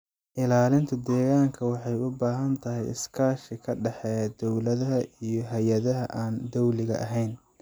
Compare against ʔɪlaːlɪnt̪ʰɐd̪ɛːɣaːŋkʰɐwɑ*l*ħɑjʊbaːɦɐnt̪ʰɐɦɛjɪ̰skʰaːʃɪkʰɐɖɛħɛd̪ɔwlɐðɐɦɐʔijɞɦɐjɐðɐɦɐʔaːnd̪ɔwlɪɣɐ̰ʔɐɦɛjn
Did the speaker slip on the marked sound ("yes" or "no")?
yes